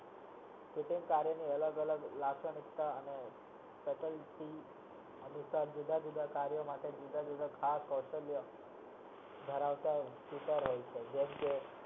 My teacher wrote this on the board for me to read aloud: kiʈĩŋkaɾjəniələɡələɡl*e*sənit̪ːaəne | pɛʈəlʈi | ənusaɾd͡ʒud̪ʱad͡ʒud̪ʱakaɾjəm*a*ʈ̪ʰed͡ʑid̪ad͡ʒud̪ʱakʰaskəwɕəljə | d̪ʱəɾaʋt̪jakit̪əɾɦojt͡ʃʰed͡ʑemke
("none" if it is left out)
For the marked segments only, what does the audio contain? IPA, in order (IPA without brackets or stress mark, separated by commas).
a, a